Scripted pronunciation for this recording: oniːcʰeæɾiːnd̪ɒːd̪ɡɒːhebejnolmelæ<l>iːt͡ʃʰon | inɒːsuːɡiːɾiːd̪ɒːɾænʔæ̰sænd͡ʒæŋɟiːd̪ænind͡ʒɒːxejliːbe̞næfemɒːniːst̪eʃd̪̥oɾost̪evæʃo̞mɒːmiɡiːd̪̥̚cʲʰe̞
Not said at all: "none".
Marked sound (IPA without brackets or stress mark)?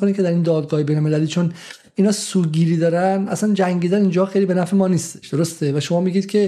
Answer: l